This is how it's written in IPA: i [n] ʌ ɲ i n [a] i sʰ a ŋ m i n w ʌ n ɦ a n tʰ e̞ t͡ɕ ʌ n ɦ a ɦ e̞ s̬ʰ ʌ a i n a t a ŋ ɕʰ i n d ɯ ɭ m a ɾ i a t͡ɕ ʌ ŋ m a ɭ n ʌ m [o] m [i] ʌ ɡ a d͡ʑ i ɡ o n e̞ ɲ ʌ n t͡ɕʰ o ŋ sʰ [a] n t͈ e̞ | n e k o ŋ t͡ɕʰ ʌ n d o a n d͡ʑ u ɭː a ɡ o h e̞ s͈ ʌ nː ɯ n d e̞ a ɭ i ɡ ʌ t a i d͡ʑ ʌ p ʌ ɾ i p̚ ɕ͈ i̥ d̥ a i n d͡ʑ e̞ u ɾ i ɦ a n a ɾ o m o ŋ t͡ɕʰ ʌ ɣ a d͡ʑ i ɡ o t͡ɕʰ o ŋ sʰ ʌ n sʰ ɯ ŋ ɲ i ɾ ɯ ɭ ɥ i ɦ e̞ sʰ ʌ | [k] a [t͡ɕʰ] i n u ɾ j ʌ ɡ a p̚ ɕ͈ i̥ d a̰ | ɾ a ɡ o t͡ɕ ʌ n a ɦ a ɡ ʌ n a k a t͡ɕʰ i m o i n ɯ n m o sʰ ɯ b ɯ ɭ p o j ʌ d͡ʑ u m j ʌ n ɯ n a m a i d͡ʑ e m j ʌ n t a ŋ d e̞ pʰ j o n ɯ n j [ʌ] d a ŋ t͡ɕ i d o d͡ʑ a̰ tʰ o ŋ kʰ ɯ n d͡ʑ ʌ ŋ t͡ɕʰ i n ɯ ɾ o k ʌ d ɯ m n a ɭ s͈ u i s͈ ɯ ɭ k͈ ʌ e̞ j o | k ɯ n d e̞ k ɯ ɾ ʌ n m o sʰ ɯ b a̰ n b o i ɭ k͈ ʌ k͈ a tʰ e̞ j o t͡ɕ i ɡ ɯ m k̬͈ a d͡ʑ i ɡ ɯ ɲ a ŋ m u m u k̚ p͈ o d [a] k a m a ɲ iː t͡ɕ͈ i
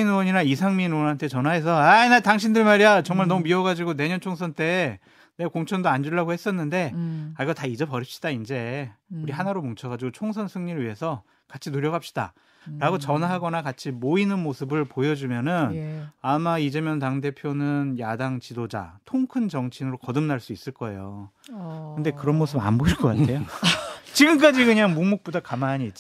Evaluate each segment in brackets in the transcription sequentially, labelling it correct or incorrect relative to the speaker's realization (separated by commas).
correct, correct, incorrect, correct, incorrect, correct, correct, incorrect, correct